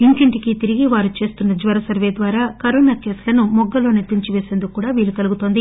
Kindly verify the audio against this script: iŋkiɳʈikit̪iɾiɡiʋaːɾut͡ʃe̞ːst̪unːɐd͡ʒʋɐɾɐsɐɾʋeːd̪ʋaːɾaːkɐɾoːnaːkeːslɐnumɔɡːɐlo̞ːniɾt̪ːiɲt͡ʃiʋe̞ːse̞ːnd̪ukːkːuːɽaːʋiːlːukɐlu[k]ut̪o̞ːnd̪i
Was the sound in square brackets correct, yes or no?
no